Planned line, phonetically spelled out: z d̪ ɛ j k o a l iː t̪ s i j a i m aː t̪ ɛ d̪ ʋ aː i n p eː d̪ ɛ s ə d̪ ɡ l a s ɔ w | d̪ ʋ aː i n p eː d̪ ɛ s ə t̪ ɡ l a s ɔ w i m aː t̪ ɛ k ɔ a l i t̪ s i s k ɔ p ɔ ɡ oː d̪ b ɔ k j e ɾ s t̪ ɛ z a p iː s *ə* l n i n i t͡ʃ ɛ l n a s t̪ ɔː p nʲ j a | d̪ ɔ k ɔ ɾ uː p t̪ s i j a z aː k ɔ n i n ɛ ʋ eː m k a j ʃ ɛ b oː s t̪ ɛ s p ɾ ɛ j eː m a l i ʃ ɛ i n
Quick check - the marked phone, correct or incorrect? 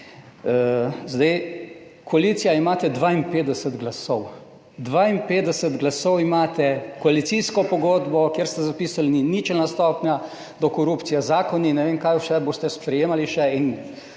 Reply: incorrect